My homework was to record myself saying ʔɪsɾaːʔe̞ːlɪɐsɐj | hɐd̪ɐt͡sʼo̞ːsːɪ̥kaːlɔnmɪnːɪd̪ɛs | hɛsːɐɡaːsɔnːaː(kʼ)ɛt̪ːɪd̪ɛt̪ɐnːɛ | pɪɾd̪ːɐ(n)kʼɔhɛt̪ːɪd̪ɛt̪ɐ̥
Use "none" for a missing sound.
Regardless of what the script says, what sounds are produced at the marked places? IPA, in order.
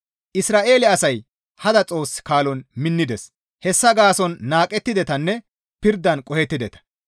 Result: kʼ, n

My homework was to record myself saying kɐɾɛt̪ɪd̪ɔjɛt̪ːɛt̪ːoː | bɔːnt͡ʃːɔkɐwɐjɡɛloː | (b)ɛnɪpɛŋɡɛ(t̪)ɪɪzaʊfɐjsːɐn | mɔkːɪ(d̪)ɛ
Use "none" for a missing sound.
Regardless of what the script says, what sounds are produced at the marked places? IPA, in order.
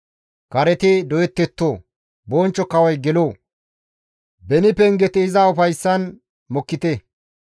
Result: b, t̪, t̪

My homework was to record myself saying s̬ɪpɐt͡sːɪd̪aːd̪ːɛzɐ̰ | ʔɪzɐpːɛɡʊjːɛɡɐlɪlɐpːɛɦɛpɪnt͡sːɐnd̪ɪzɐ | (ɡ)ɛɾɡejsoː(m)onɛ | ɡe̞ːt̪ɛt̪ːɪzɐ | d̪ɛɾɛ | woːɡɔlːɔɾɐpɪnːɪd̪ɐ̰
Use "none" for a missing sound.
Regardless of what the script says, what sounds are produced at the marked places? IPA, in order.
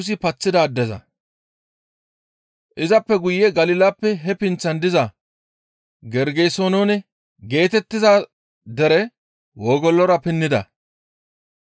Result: ɡ, n

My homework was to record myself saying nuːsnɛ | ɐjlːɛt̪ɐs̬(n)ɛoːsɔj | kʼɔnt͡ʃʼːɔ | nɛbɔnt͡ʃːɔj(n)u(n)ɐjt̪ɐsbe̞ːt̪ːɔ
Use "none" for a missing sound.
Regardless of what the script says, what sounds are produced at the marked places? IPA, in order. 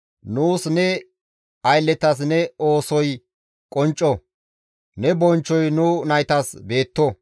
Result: n, n, n

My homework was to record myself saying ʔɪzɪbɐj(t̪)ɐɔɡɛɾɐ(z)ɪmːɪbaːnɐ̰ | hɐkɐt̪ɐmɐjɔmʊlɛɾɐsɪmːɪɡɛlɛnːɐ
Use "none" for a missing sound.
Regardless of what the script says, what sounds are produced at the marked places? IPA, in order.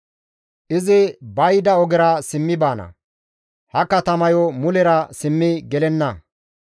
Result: d̪, s

